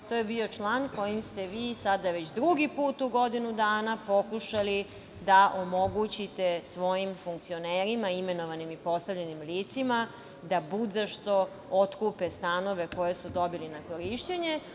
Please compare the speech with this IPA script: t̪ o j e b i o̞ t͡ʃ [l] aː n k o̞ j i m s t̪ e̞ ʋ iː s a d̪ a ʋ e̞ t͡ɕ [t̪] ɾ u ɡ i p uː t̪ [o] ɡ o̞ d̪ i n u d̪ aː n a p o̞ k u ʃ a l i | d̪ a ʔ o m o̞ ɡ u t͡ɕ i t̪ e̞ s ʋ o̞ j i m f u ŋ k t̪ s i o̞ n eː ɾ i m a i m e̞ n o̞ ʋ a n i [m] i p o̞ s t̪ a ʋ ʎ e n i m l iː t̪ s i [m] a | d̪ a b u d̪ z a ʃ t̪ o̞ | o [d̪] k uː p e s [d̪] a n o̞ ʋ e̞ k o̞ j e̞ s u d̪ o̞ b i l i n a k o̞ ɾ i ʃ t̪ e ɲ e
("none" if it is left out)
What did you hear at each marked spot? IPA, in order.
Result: l, d̪, u, m, m, t̪, t̪

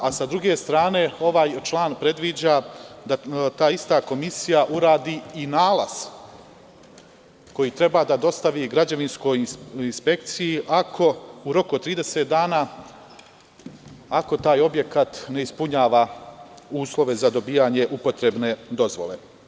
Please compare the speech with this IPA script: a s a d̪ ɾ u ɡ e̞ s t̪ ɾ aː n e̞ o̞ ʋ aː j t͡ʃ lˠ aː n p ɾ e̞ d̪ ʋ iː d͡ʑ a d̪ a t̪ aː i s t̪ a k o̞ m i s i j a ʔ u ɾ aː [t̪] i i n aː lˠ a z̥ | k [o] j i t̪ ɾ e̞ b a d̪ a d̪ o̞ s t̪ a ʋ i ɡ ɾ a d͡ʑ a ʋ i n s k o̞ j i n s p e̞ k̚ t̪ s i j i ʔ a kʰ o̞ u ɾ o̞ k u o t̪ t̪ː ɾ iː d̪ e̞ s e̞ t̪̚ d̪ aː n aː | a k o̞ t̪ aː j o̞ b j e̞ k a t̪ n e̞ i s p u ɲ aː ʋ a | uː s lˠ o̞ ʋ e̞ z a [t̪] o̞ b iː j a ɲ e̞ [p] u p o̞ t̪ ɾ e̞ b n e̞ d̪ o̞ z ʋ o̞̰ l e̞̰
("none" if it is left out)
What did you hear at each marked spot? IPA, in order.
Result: d̪, o, d̪, ʔ

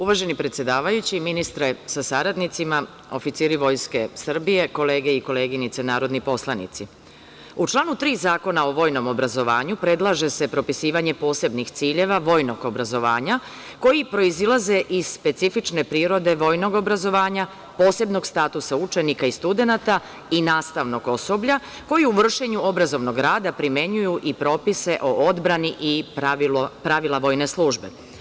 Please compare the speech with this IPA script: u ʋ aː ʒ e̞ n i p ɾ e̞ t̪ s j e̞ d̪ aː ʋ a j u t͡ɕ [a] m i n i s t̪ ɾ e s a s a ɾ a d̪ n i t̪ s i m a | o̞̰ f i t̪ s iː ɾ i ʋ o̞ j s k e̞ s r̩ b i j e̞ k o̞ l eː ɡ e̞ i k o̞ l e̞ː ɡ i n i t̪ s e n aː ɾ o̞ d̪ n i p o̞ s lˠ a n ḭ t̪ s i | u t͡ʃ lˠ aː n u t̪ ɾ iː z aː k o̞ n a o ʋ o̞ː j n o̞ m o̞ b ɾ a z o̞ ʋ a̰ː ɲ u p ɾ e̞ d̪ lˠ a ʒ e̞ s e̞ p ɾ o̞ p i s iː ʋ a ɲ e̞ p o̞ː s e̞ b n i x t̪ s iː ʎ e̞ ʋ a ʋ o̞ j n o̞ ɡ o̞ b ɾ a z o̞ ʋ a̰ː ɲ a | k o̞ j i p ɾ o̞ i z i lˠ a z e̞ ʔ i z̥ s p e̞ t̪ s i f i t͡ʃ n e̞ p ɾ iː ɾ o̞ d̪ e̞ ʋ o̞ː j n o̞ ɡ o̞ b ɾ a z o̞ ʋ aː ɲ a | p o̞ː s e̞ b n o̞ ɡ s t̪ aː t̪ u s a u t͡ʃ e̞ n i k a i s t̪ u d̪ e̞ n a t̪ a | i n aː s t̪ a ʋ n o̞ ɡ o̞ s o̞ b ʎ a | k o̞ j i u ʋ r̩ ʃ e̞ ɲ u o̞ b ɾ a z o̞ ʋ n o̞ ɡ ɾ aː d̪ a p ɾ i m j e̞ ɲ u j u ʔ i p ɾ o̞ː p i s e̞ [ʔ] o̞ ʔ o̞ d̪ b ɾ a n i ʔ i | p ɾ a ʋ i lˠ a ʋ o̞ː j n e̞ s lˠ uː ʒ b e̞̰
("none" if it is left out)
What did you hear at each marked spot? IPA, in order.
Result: i, ʔ

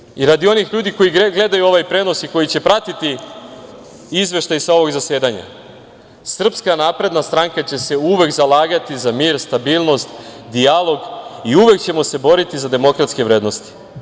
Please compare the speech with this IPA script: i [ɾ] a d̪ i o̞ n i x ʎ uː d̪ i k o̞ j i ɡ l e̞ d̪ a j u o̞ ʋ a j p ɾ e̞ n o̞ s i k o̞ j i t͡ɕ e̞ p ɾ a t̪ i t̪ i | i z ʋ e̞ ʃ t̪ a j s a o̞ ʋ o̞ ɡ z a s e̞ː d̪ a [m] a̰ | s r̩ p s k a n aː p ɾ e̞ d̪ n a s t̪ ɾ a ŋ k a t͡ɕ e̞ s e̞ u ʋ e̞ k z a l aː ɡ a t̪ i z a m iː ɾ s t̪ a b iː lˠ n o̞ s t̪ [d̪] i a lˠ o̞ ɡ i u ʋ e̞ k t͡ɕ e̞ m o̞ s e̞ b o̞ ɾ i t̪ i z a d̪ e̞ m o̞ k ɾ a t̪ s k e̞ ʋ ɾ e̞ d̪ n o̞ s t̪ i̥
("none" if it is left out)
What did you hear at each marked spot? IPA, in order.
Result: ɾ, ɲ, d̪

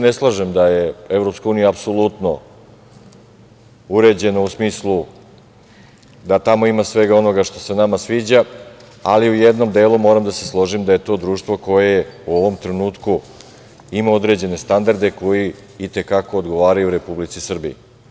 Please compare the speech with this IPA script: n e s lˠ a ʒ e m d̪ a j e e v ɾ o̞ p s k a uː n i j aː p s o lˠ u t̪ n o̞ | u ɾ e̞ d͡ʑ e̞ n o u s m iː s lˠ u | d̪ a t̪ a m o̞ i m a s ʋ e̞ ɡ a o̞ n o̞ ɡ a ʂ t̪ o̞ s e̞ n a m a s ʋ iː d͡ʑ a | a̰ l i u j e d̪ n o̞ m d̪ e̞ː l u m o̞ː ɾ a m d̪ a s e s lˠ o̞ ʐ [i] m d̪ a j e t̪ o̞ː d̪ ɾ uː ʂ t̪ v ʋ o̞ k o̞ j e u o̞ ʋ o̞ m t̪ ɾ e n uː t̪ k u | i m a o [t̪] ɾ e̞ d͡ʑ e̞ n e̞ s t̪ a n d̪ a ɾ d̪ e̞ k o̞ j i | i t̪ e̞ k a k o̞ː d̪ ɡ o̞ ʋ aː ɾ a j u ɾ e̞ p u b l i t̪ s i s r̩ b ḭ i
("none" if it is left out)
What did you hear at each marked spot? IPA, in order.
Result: i, d̪

